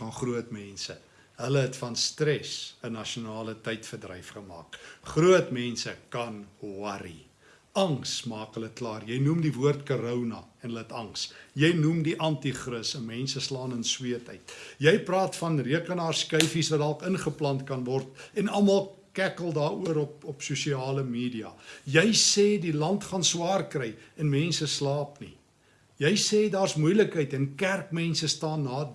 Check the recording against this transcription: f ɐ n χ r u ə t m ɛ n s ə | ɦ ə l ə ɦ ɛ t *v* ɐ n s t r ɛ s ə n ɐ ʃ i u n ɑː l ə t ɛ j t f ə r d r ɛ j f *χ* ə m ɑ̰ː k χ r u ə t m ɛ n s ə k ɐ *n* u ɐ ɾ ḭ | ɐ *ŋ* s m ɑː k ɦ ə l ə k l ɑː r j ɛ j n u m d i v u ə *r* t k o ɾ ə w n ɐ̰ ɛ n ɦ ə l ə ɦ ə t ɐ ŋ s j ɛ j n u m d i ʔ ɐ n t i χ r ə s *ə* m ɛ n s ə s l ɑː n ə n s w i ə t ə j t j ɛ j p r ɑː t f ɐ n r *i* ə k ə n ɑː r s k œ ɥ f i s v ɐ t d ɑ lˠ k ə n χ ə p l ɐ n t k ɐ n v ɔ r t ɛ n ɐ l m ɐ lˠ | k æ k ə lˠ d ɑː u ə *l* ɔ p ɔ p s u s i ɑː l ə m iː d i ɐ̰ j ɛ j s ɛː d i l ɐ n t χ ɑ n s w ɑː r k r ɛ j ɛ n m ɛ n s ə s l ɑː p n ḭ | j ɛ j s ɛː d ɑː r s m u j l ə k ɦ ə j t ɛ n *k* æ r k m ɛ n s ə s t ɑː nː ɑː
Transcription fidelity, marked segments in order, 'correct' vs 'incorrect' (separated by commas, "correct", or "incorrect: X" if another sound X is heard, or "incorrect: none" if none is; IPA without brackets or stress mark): incorrect: f, correct, correct, correct, correct, correct, correct, incorrect: ɾ, correct